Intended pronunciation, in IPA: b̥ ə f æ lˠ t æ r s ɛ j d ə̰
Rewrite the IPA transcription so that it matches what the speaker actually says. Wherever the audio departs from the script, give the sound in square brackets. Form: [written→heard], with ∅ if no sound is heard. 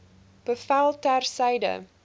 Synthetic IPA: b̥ ə f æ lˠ t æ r s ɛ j d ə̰